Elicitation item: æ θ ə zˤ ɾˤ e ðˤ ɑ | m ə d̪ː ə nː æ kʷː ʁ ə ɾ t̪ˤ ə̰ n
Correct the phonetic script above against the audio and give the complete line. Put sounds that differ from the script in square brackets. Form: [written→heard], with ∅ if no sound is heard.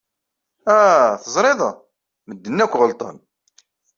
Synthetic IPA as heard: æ θ ə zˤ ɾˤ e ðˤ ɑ | m ə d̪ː ə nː æ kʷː ʁ ə [ɾ→l] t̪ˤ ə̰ n

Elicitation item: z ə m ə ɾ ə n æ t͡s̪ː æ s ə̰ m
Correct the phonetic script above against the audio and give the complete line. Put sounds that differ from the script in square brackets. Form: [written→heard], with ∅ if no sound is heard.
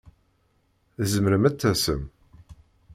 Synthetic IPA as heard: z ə m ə ɾ ə [n→m] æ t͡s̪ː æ s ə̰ m

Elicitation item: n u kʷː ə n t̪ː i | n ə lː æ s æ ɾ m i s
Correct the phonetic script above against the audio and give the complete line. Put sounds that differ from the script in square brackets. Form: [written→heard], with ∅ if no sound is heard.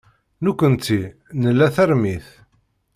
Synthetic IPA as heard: n u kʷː ə n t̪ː i | n ə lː æ [s→θ] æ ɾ m i [s→θ]

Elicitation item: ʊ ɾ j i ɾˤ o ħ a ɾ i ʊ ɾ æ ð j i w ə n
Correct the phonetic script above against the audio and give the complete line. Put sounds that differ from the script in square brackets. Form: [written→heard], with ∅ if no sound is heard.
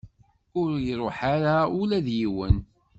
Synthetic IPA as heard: ʊ ɾ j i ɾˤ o ħ a ɾ [i→a] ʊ [ɾ→l] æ ð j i w ə n

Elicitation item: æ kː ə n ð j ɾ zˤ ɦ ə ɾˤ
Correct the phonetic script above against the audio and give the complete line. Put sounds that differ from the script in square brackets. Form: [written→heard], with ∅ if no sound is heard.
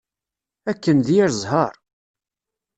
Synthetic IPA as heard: æ kː ə n ð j ɾ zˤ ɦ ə ɾˤ

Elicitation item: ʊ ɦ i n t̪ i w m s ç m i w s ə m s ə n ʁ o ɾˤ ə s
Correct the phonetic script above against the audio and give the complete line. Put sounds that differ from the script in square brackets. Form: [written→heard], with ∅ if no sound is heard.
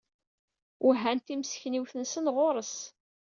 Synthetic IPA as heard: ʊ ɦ [i→æ] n t̪ i [w→∅] m s ç [m→n] i w [s→θ] ə [m→n] s ə n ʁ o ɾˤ ə s

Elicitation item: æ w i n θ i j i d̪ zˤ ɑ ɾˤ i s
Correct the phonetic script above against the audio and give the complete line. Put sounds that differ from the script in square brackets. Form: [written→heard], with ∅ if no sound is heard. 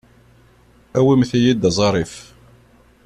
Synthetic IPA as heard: æ w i [n→m] θ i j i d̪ zˤ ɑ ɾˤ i [s→f]

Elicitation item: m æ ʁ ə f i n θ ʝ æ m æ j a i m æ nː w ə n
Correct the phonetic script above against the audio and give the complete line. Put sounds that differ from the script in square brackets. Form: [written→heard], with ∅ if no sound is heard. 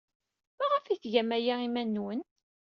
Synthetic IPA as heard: m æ ʁ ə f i [n→∅] θ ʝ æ m æ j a i m æ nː w ə n

